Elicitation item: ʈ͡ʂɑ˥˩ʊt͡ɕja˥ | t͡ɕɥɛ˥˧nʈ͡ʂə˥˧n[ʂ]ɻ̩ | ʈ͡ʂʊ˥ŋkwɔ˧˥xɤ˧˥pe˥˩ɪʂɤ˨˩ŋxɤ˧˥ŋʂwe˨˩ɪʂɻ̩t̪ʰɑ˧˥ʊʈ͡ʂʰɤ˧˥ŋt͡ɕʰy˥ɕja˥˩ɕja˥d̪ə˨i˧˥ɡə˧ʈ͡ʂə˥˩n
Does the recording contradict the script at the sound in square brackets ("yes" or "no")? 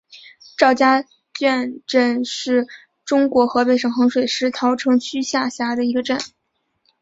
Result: no